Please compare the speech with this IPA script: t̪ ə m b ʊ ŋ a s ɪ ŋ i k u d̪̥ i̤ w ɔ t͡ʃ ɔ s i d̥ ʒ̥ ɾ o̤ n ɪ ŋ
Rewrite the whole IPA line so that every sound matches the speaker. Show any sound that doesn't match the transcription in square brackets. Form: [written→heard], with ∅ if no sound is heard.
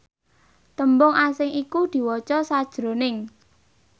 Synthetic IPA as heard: t̪ ə m b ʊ ŋ a s ɪ ŋ i k u d̪̥ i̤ w ɔ t͡ʃ ɔ s [i→a] d̥ ʒ̥ ɾ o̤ n ɪ ŋ